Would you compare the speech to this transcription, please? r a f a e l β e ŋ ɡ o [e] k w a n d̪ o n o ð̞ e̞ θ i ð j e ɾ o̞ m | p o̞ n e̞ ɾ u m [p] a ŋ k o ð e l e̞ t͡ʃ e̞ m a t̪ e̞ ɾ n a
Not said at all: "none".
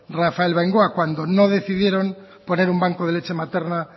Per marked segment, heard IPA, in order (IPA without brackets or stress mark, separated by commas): a, b